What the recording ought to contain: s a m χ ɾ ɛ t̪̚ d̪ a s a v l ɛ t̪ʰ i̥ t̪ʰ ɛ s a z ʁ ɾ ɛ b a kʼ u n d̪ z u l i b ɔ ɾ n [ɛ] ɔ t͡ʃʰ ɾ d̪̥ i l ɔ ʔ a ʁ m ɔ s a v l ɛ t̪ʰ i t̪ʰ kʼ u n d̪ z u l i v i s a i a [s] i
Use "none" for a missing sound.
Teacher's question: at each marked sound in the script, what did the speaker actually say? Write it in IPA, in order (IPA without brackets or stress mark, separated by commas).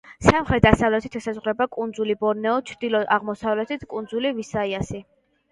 ɛ, s